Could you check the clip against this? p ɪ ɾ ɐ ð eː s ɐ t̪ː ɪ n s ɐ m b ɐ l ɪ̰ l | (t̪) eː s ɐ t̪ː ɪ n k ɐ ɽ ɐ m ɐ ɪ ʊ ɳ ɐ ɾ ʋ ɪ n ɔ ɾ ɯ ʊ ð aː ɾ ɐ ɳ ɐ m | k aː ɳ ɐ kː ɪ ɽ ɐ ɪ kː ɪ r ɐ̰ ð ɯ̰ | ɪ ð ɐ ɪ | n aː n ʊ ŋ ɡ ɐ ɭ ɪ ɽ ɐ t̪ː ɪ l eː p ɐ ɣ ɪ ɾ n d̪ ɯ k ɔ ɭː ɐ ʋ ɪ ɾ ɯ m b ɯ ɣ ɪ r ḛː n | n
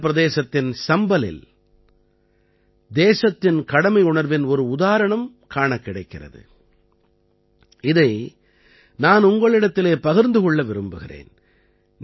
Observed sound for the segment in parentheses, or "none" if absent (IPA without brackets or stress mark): d̪